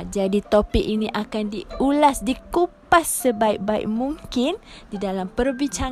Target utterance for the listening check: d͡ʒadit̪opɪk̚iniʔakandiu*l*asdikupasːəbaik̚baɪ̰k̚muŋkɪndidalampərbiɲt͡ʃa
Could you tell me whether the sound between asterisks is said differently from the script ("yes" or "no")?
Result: no